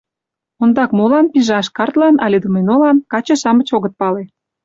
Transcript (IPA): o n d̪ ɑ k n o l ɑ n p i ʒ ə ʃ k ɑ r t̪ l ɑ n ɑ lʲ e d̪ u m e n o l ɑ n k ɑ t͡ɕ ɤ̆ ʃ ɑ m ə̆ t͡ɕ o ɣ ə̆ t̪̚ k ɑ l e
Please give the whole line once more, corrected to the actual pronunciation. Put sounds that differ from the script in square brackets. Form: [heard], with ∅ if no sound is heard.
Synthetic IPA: o n d̪ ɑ k [m] o l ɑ n p i ʒ [ɑ] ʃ k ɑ r t̪ l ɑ n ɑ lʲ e d̪ u m e n o l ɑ n k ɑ t͡ɕ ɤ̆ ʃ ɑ m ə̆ t͡ɕ o ɣ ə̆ t̪̚ [p] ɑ l e